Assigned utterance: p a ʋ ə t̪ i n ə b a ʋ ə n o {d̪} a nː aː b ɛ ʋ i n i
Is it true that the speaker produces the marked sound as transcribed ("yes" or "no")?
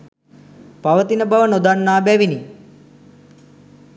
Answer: yes